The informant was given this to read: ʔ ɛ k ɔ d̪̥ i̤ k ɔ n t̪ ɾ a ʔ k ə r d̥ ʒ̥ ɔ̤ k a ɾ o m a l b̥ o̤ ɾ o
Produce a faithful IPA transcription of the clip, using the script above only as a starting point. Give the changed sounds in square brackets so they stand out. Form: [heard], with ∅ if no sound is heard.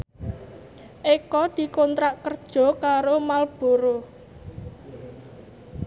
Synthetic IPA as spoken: ʔ [e] k ɔ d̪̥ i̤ k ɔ n t̪ ɾ a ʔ k ə r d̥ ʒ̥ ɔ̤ k a ɾ o m a l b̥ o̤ ɾ o